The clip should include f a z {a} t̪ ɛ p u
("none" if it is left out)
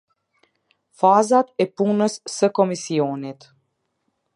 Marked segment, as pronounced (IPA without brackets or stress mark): a